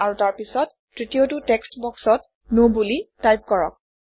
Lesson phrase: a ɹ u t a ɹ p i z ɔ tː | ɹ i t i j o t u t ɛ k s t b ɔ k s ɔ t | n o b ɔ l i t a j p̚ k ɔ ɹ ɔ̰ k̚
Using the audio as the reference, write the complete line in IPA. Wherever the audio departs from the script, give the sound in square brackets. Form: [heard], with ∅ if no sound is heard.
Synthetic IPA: a ɹ u t a ɹ p i [s] ɔ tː | ɹ i t i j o t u t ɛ k s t b ɔ k s ɔ t | n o b [u] l i t a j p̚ k ɔ ɹ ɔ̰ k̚